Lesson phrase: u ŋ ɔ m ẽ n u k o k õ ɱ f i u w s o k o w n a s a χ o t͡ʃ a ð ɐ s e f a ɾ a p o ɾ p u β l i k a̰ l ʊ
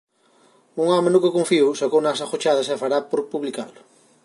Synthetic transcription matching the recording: u ŋ ɔ m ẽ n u k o k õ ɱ f i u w s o k o w n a s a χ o t͡ʃ a ð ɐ s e f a ɾ a p o ɾ p u β l i k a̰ l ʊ